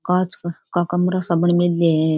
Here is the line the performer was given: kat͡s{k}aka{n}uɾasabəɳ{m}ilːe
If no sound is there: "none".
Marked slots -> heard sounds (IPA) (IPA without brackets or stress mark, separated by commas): k, m, m